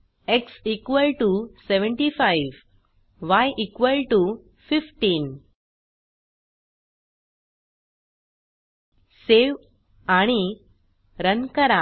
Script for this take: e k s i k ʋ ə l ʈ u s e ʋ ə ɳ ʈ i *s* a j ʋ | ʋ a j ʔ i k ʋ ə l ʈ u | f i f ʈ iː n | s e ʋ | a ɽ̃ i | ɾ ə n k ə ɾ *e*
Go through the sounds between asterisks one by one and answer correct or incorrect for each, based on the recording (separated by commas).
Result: incorrect, incorrect